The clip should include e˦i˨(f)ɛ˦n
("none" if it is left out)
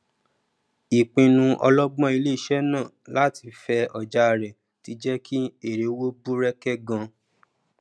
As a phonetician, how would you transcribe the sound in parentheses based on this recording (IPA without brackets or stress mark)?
ʃ